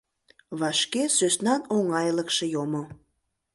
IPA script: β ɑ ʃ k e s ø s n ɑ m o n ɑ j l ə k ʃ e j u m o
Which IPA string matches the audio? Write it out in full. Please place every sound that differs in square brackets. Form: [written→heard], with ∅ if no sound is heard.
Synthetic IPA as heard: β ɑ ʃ k e s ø s n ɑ [m→n] o [n→ŋ] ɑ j l ə k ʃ e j [u→o] m o